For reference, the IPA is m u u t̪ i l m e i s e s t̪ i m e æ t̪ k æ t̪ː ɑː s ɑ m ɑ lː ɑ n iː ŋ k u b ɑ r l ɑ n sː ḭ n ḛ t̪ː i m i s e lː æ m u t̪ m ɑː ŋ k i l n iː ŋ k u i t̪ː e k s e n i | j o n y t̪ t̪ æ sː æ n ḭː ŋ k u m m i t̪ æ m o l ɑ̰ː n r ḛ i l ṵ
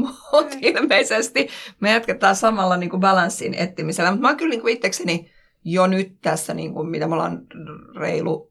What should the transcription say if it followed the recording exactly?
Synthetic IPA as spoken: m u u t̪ i l m e i s e s t̪ i m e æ t̪ k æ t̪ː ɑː s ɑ m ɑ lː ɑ n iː ŋ k u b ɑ l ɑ n sː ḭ n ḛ t̪ː i m i s e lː æ m u t̪ m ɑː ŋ k y l n iː ŋ k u i t̪ː e k s e n i | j o n y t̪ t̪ æ sː æ n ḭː ŋ k u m m i t̪ æ m o l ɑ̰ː n r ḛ i l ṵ